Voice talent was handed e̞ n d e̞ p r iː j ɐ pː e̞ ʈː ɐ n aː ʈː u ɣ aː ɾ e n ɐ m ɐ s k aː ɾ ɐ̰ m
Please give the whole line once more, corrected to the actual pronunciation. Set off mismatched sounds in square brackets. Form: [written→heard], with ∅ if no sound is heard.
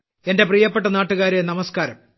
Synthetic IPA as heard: e̞ n d e̞ p r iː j ɐ pː e̞ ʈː ɐ n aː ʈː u ɣ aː ɾ e n ɐ m ɐ s k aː ɾ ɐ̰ m